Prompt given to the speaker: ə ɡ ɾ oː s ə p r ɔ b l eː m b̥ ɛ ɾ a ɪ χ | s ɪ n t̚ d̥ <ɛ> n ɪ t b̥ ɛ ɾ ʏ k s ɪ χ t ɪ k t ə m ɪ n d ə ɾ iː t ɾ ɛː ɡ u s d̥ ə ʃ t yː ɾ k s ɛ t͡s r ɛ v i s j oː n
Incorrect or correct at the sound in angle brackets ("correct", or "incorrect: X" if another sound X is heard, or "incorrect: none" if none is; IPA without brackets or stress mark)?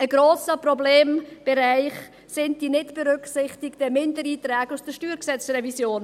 incorrect: i